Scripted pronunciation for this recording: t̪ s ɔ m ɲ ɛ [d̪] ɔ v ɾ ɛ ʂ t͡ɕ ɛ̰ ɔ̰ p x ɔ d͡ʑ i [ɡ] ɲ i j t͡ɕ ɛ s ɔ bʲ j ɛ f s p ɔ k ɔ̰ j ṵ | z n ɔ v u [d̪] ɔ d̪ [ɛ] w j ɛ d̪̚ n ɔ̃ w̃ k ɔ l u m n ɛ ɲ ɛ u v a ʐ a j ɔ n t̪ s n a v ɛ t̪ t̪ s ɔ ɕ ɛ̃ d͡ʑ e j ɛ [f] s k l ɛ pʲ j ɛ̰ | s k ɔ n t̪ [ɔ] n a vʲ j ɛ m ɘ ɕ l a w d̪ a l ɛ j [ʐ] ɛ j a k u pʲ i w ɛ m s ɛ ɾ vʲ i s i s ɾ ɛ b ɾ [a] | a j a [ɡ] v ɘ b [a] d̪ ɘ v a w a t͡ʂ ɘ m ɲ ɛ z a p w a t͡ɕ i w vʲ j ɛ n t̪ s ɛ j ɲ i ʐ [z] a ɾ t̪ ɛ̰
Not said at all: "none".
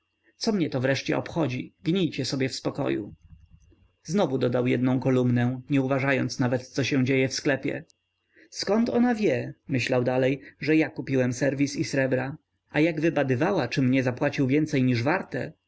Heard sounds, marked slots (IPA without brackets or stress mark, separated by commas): t̪, ɡ, d̪, a, f, ɔ, ʐ, a, ɡ, a, v